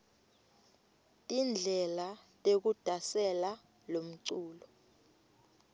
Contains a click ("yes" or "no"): yes